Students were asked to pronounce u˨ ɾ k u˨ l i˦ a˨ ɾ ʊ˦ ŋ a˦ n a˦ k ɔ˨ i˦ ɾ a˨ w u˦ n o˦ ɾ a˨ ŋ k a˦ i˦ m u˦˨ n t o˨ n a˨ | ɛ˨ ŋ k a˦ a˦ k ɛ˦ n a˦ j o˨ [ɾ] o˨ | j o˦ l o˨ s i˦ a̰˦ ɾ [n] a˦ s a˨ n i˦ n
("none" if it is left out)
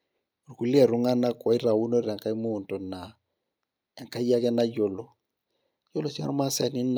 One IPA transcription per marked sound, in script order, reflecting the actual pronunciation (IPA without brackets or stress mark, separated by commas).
l, m